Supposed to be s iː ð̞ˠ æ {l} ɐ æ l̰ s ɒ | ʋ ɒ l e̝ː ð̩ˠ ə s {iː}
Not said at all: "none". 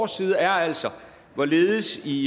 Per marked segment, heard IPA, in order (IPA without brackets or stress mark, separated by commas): none, i